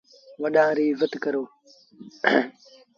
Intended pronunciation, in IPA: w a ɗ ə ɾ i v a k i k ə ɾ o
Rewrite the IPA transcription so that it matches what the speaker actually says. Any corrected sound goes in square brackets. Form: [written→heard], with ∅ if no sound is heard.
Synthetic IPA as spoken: w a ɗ [ə→a] ɾ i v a [k→t] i k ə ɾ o